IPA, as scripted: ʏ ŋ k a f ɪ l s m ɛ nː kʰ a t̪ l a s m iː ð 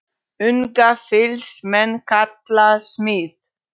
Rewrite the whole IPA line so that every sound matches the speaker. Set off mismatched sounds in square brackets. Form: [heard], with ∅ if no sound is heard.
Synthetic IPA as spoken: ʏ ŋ k a f ɪ l s m ɛ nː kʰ a t̪ l a s m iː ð